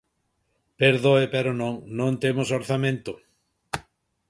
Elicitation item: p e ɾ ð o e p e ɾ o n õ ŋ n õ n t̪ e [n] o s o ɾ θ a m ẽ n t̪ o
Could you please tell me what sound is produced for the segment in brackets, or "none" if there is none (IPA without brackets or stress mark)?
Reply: m